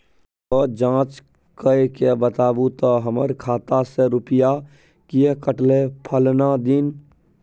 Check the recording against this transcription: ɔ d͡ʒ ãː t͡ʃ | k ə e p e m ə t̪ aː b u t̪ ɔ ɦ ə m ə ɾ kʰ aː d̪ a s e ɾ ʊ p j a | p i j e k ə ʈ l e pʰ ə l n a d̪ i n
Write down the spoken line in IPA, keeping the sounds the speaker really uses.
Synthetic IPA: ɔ d͡ʒ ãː t͡ʃ | k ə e k e b ə t̪ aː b u t̪ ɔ ɦ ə m ə ɾ kʰ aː t̪ a s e ɾ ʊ p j a | k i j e k ə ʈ l e pʰ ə l n a d̪ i n